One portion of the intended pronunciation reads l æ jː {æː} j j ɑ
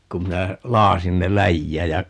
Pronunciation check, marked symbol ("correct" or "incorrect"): correct